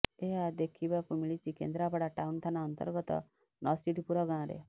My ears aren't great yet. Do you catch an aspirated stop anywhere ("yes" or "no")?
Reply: yes